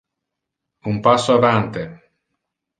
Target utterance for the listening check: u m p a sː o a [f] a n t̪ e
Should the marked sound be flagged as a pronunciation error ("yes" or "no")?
yes